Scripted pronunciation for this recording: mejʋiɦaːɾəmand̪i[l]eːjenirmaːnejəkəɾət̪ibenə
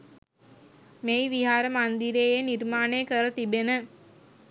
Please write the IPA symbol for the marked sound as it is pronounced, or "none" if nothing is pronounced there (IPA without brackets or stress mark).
ɾ